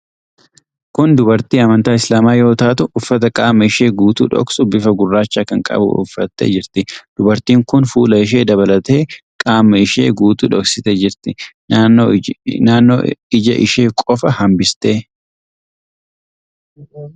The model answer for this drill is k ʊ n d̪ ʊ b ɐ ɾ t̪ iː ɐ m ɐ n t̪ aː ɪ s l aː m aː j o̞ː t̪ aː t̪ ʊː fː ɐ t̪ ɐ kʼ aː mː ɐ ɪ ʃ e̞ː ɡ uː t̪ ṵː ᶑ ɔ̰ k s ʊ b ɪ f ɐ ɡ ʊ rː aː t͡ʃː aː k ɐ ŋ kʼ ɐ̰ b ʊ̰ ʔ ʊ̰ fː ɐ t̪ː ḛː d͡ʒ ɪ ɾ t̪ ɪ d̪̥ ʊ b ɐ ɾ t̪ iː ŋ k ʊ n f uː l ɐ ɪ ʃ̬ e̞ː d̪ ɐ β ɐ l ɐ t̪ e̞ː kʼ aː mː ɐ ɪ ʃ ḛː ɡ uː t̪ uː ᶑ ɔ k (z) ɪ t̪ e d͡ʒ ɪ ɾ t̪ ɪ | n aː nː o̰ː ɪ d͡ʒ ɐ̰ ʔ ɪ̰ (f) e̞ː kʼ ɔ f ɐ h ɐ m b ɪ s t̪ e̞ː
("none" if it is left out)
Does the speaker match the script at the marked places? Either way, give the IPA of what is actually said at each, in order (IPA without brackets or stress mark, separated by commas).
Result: s, ʃ